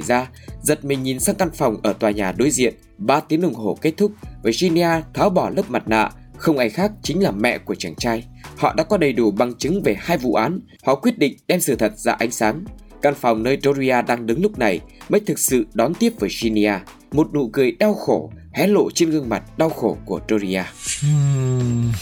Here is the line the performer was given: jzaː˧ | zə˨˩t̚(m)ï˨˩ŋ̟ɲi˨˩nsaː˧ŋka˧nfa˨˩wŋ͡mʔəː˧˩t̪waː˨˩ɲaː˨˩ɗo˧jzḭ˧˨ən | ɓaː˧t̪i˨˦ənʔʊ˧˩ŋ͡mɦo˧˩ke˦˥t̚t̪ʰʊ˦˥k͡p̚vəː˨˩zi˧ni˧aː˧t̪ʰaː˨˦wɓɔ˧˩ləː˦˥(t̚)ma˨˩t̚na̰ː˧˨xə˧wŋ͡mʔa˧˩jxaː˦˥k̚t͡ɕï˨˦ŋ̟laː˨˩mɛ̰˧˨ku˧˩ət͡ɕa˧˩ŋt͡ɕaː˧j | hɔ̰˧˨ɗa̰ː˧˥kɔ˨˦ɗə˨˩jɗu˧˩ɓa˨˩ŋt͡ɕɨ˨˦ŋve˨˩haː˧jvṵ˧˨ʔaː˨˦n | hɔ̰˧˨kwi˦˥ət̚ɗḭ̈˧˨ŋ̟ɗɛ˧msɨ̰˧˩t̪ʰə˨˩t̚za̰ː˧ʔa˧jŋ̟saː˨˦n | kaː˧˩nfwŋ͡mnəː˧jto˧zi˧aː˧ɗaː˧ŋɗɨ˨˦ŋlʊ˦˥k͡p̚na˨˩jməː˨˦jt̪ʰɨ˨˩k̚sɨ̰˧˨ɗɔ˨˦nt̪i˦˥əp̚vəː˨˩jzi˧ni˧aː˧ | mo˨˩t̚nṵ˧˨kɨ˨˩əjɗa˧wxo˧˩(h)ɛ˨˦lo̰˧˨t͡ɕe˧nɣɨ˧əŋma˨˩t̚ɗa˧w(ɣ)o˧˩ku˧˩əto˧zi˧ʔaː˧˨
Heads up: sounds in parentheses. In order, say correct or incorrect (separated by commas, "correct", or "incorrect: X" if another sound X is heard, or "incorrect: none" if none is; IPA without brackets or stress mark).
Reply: correct, incorrect: p̚, correct, incorrect: x